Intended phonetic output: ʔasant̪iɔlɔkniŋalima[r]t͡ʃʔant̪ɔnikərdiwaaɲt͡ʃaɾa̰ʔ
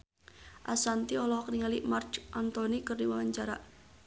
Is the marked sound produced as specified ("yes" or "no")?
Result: yes